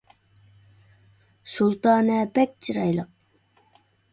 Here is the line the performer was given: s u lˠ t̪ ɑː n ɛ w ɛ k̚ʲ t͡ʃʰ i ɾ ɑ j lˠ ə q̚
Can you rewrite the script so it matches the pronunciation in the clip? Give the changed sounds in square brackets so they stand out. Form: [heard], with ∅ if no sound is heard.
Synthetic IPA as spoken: s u lˠ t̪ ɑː n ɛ [b] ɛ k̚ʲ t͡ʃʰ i ɾ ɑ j lˠ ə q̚

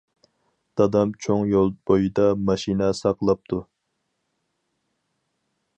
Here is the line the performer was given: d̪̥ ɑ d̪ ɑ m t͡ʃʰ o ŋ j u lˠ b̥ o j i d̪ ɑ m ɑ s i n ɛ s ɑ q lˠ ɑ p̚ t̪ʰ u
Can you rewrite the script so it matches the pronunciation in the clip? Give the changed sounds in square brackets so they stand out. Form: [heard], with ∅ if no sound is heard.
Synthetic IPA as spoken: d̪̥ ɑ d̪ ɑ m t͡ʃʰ o ŋ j [o] lˠ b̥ o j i d̪ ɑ m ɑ [ʃ] i n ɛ s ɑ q lˠ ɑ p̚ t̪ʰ u

